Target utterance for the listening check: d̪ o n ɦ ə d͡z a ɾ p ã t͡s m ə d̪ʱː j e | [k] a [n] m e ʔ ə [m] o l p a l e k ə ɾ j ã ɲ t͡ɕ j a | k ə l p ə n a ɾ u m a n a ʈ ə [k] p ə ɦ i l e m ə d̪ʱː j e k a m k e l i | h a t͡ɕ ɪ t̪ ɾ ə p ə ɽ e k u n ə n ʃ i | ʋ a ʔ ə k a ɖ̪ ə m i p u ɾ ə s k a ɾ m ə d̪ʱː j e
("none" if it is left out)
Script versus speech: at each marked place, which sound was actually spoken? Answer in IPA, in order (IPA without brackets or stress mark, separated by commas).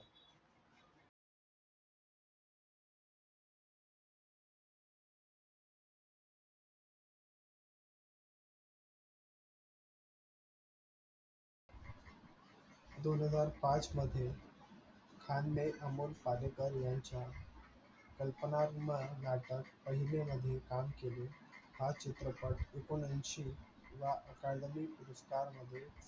kʰ, n, m, k